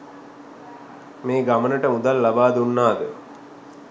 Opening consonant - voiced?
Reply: yes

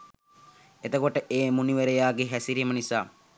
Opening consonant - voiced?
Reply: no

